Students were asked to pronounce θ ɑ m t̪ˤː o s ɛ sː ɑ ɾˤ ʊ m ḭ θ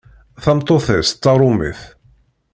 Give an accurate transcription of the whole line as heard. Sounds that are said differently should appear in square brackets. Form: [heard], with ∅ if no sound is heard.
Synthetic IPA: θ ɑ m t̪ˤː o [θ] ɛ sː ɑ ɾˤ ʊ m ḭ θ